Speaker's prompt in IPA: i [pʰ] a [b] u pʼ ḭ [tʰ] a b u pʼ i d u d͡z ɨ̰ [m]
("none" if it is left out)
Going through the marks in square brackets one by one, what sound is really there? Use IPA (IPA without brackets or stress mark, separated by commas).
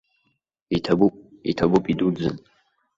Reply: tʰ, b, tʰ, n